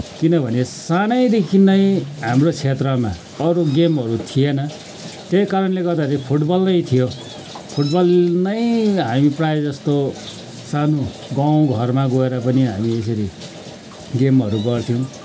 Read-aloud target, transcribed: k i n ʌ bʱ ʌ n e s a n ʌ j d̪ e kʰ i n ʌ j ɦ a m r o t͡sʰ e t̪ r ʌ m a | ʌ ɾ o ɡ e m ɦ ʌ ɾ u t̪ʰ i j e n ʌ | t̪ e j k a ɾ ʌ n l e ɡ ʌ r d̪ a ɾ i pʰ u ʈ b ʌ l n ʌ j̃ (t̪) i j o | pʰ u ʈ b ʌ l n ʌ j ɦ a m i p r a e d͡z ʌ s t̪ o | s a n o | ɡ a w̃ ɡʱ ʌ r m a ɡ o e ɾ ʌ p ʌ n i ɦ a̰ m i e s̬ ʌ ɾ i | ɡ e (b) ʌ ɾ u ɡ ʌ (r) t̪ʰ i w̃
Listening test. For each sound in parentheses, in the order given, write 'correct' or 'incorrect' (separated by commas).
incorrect, incorrect, correct